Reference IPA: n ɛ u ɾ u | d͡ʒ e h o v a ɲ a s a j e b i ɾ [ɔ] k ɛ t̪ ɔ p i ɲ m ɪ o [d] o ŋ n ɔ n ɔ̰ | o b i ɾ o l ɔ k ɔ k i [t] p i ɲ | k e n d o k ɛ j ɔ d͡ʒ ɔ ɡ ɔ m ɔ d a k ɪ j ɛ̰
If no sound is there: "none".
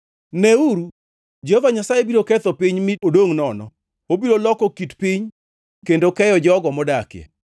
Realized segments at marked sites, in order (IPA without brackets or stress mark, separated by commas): o, d, t